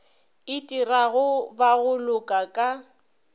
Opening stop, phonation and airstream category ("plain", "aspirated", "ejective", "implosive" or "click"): ejective